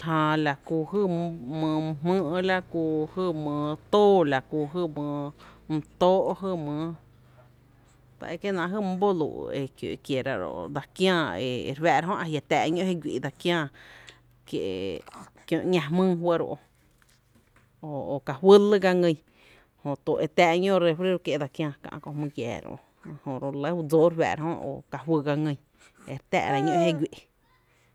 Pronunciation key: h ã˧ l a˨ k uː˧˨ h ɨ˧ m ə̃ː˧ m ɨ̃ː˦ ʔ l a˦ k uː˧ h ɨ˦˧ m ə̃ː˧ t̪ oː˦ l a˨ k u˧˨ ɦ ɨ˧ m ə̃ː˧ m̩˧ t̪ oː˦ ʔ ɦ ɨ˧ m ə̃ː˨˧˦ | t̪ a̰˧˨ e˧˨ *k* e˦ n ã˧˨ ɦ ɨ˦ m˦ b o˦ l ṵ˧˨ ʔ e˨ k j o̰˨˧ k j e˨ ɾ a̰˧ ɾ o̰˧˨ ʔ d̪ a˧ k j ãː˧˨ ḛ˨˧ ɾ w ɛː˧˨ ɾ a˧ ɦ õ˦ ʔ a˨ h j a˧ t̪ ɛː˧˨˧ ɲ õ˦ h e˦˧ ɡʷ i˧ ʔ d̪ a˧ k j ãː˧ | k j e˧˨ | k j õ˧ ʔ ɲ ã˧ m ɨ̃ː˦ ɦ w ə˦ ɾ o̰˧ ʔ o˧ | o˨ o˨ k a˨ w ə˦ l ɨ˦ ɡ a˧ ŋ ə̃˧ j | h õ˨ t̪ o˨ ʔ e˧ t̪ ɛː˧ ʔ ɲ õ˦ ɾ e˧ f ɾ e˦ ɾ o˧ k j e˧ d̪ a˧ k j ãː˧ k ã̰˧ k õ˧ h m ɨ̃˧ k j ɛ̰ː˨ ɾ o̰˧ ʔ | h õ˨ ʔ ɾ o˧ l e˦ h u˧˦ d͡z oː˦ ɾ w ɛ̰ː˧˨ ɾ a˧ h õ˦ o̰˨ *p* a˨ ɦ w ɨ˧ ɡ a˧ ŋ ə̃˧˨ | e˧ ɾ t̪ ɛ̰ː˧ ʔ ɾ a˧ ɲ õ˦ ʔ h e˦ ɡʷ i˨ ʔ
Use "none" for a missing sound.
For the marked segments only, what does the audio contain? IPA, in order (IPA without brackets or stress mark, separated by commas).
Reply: k, k